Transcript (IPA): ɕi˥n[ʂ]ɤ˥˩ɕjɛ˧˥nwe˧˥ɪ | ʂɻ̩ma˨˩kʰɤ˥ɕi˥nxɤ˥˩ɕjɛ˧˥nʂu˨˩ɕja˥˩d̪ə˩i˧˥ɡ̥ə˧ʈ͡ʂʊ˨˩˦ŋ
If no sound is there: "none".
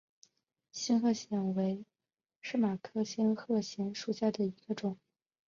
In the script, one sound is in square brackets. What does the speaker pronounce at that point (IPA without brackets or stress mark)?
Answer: x